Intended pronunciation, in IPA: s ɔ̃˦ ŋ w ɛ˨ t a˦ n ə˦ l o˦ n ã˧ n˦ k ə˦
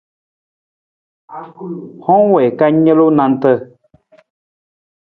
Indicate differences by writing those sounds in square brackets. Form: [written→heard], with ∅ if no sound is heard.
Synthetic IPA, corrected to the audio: [s→h] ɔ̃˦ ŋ w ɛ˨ [t→k] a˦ [n→ɲ] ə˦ l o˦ n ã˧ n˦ [k→t] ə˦